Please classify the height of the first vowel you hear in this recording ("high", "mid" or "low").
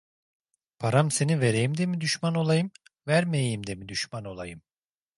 low